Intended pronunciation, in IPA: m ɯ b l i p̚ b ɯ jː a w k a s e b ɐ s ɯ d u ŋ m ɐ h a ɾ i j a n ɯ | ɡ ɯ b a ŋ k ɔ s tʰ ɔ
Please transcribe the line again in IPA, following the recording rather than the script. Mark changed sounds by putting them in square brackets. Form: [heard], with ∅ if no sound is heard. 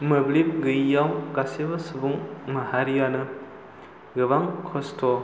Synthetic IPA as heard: m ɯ b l i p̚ [ɡ] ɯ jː a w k a s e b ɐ s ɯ [b] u ŋ m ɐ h a ɾ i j a n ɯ | ɡ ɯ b a ŋ [kʰ] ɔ s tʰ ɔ